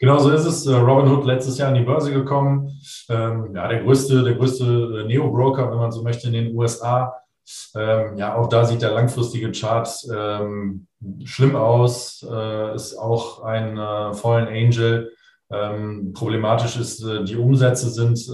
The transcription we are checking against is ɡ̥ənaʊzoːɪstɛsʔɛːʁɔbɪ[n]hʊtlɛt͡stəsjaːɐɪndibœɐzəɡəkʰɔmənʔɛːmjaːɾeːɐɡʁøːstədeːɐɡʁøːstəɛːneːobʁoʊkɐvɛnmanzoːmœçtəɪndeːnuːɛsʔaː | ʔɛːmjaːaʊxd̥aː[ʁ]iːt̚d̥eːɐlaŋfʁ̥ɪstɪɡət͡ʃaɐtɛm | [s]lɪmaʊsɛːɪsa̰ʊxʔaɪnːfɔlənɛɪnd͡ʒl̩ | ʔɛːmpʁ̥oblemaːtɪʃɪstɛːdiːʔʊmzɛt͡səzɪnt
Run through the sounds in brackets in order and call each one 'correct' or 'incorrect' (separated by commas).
correct, incorrect, incorrect